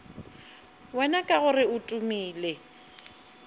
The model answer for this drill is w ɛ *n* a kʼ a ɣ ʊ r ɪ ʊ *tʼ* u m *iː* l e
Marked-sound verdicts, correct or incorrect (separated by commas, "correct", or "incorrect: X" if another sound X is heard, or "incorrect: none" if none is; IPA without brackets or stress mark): correct, correct, correct